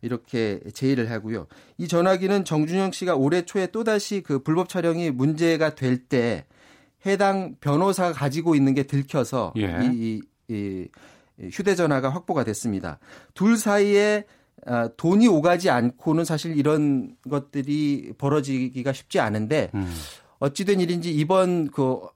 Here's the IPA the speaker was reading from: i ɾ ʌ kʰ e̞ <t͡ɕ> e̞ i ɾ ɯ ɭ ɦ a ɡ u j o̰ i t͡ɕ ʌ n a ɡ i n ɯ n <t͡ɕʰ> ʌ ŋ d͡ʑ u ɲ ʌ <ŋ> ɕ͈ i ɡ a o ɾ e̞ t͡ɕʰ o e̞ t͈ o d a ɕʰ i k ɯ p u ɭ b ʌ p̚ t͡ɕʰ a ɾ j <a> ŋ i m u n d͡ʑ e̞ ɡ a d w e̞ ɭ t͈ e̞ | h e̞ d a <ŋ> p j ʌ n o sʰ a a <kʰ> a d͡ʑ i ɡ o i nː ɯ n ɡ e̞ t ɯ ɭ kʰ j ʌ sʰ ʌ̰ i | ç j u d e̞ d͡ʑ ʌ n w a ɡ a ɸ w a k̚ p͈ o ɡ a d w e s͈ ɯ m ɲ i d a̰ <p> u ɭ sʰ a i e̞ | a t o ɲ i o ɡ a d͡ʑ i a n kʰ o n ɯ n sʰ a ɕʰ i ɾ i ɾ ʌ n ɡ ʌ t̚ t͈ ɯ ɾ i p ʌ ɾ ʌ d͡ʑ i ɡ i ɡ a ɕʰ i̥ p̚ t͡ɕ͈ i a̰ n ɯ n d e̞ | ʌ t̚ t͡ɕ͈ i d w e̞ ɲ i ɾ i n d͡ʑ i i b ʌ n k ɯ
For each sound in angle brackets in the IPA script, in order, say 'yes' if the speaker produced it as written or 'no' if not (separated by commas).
yes, no, yes, no, yes, no, no